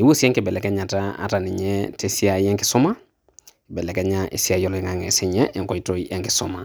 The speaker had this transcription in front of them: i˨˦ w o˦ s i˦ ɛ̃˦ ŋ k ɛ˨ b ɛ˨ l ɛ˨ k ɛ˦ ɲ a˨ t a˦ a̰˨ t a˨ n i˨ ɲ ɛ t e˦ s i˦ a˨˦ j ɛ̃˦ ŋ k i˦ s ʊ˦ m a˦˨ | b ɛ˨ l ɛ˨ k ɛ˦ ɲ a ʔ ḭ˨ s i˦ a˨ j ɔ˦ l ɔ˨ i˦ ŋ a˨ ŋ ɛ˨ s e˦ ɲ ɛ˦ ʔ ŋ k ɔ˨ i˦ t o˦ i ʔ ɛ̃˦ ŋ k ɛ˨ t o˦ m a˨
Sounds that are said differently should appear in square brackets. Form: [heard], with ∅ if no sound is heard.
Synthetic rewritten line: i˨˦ w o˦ s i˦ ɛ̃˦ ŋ k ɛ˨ b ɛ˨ l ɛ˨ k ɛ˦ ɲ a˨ t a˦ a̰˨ t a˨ n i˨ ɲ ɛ t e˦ s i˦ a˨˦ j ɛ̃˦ ŋ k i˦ s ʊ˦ m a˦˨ | b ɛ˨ l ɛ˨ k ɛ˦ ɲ a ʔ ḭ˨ s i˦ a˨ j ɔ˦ l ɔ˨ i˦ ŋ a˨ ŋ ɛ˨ s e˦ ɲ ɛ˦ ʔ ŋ k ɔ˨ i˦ t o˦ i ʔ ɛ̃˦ ŋ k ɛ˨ [s] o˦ m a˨